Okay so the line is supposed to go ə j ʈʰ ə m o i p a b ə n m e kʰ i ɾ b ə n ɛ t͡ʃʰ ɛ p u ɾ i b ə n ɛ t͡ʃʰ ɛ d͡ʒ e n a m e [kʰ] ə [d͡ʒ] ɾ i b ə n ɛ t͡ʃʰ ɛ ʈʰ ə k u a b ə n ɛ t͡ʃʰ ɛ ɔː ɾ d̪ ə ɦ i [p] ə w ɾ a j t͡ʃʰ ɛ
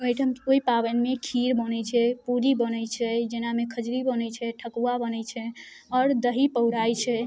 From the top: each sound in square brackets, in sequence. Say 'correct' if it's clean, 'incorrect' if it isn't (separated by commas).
correct, correct, correct